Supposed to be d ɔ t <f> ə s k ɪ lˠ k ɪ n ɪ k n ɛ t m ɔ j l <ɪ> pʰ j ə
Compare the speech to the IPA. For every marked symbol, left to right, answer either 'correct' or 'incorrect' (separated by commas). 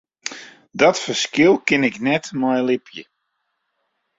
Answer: correct, correct